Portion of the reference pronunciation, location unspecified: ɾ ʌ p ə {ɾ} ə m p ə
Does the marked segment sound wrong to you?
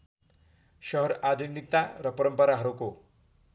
no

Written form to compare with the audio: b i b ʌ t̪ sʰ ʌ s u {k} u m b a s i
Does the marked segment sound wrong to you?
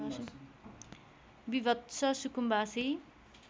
no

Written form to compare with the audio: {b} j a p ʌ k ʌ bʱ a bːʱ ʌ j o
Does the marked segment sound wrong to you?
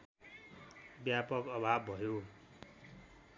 no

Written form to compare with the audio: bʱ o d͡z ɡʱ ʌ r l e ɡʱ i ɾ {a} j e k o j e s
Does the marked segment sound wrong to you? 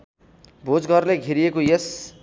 yes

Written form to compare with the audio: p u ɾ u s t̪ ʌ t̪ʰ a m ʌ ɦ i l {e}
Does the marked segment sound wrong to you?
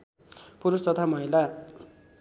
yes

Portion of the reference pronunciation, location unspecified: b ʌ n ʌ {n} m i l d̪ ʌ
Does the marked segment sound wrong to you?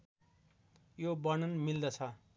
no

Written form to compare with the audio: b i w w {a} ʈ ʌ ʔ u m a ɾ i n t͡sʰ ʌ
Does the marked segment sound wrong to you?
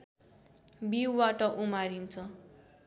no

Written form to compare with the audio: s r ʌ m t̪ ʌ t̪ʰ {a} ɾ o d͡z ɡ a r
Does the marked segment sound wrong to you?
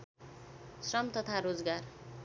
no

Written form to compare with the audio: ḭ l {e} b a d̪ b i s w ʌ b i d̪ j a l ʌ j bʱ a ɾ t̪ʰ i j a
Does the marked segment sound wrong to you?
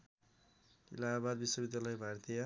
yes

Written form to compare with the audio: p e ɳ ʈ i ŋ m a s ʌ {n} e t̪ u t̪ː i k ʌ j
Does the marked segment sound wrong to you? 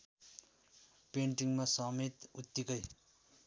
yes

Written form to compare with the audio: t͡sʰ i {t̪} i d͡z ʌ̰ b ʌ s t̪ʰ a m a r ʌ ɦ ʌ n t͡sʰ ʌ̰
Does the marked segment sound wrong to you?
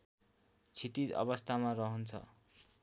no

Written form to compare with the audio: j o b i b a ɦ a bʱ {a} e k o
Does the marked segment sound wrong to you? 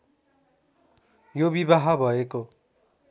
yes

